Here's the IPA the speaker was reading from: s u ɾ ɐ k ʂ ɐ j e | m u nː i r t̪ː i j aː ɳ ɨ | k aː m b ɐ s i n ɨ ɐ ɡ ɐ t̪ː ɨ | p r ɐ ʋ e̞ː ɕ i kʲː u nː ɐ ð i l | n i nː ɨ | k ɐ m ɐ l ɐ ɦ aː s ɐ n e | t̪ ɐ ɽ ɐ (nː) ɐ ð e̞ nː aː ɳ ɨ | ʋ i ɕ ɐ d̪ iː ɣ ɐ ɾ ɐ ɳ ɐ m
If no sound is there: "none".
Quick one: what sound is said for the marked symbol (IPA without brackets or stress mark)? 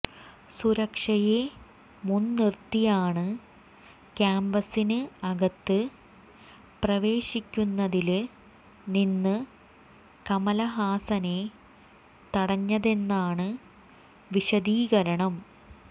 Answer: ɲː